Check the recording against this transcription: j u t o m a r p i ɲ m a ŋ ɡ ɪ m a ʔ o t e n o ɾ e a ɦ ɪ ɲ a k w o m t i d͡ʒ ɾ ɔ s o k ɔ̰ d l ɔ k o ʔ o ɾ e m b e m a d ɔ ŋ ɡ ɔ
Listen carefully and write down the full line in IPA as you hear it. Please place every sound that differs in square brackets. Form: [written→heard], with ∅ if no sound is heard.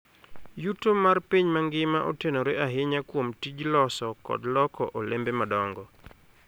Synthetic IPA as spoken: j u t o m a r p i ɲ m a ŋ ɡ ɪ m a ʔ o t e n o ɾ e a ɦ ɪ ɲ a k w o m t i d͡ʒ [ɾ→l] ɔ s [o→ɔ] k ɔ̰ d l ɔ k [o→ɔ] ʔ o [ɾ→l] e m b e m a d ɔ ŋ ɡ ɔ